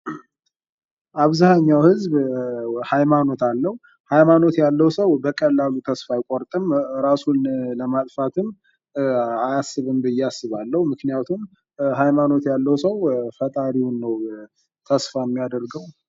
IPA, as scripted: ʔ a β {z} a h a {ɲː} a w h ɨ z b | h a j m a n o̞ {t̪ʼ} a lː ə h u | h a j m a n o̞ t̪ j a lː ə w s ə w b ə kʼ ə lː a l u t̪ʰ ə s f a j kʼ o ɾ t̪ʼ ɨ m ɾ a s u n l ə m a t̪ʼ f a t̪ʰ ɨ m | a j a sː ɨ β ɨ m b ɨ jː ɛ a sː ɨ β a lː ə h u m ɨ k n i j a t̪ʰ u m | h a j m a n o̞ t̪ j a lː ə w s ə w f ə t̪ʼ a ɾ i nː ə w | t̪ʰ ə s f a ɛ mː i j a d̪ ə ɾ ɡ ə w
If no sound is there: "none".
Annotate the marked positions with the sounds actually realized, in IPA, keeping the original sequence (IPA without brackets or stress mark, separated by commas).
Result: z, ɲː, t̪